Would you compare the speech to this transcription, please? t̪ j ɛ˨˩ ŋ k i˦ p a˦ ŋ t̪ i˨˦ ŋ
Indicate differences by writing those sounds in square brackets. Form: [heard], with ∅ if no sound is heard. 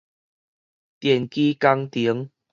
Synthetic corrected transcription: t̪ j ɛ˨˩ [n] k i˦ [k] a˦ ŋ t̪ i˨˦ ŋ